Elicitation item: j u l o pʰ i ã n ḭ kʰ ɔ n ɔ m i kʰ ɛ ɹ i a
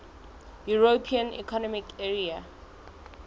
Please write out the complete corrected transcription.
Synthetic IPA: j u ɹ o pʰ i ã n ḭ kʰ ɔ n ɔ m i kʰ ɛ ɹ i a